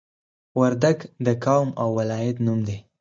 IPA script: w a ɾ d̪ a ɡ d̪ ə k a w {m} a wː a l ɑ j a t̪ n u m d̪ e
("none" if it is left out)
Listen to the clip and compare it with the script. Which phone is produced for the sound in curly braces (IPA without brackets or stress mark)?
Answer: m